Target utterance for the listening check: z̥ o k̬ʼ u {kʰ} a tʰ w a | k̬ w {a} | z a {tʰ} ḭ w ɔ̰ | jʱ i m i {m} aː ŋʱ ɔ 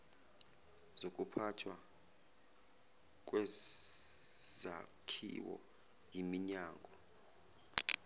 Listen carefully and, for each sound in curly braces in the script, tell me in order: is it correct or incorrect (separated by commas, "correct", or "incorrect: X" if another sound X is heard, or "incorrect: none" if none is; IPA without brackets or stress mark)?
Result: incorrect: pʰ, incorrect: ɛ, incorrect: kʰ, incorrect: ɲ